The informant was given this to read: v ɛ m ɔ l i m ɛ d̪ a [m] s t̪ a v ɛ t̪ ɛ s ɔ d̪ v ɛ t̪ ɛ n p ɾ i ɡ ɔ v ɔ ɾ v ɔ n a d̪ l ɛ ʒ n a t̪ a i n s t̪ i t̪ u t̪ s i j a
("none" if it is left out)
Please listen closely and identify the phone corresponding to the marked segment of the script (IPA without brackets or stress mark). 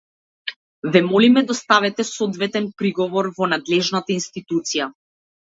none